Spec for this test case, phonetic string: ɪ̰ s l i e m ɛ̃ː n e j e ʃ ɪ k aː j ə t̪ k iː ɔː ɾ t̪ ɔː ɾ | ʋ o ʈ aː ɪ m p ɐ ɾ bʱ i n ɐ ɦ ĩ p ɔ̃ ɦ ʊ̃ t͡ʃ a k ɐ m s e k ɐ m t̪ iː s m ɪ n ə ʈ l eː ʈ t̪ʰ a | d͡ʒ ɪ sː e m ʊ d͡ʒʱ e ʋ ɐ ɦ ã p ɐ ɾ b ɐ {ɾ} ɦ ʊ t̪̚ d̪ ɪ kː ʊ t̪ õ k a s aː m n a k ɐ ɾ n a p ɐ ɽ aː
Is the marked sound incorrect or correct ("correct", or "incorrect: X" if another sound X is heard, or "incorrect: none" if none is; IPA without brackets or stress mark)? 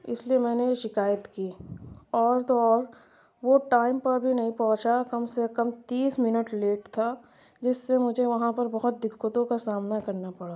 incorrect: none